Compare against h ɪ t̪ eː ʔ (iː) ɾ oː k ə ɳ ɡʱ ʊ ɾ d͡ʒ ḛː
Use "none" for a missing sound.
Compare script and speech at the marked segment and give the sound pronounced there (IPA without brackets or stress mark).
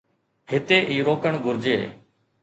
iː